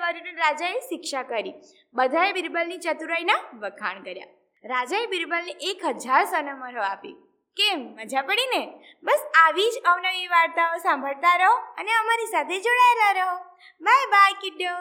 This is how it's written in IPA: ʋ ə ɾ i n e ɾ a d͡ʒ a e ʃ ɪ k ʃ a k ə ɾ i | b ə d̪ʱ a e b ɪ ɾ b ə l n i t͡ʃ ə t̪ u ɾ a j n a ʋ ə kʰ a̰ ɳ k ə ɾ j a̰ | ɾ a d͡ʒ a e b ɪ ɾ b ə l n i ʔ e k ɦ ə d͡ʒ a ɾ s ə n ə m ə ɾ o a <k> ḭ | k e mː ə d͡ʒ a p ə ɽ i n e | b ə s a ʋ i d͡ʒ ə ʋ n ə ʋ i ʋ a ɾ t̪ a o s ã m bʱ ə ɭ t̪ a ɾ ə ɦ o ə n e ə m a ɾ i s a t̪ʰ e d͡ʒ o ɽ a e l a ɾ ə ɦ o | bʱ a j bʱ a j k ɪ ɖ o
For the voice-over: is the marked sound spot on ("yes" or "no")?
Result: no